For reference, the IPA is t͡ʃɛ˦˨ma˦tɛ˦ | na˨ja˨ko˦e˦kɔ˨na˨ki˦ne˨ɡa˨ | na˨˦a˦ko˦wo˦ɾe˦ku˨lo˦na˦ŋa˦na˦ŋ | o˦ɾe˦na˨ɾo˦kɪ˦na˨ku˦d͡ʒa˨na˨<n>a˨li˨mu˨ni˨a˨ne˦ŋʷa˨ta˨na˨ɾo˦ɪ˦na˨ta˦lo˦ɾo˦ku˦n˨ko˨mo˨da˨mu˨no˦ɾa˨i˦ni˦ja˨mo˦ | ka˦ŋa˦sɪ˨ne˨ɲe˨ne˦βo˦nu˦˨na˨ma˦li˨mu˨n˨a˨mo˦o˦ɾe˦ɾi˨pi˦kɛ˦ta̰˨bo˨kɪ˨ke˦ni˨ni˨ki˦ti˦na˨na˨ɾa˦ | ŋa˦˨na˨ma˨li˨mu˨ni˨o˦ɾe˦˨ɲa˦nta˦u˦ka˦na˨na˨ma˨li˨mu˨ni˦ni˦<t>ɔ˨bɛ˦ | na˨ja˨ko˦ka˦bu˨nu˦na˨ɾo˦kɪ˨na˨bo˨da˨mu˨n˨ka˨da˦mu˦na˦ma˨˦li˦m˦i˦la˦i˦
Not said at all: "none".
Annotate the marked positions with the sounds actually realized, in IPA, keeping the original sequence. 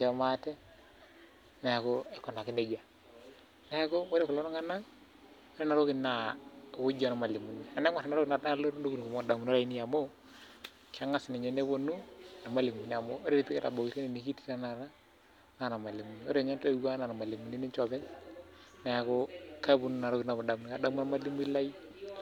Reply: m, t͡ʃ

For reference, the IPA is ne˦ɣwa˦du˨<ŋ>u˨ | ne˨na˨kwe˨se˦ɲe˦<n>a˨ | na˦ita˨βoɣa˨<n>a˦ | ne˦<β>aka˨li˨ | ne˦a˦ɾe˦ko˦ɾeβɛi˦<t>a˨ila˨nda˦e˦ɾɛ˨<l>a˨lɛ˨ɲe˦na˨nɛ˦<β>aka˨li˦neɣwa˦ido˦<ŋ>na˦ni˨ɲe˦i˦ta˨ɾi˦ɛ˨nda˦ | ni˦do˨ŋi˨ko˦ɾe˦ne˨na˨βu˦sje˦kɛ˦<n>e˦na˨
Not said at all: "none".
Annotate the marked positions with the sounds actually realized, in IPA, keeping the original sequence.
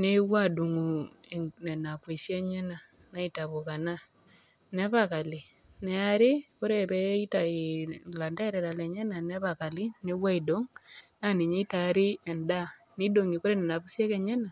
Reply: ŋ, n, n, β, t, ɾ, β, ŋ, ɲ

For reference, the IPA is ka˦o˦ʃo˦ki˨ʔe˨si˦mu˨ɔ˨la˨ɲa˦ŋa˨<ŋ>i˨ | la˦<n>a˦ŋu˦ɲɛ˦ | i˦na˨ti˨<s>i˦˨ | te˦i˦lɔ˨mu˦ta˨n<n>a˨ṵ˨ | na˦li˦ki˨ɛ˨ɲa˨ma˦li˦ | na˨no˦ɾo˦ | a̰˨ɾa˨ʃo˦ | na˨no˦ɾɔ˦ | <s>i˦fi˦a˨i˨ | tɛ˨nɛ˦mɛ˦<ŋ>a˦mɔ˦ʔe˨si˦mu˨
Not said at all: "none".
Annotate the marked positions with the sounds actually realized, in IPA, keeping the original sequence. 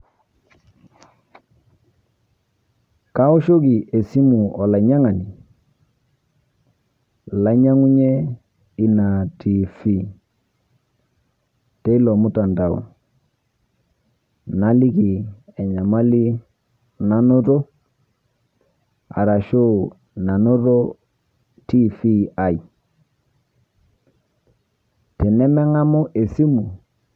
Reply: n, ɲ, f, d, t, ŋ

